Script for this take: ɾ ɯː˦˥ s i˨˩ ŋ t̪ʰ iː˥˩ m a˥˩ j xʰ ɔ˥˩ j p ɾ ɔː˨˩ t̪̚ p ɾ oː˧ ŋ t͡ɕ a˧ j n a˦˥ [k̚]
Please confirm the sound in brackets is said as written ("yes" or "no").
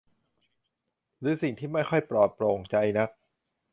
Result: yes